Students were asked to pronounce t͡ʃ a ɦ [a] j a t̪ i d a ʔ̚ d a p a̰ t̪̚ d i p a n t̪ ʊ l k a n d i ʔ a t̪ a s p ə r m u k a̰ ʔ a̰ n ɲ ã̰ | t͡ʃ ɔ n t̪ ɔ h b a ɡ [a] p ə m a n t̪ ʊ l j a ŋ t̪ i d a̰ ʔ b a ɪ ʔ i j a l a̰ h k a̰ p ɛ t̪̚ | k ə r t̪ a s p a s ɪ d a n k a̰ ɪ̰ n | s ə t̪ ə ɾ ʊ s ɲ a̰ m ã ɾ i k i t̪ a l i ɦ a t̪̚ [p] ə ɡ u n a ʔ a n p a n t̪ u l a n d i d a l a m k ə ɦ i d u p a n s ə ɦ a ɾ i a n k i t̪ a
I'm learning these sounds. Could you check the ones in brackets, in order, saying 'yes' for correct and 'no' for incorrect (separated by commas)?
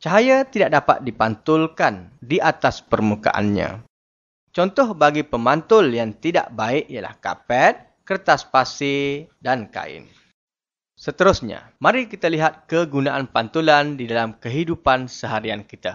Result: yes, no, no